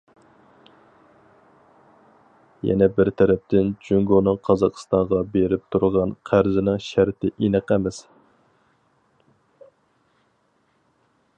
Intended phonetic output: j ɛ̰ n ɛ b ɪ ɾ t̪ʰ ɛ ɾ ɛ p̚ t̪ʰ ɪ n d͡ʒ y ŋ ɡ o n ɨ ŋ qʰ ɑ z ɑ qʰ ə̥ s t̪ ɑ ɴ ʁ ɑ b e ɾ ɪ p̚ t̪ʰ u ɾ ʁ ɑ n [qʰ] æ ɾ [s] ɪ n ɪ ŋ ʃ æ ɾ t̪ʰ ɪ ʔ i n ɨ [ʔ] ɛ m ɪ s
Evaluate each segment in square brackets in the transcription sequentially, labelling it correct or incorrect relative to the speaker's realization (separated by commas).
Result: correct, incorrect, incorrect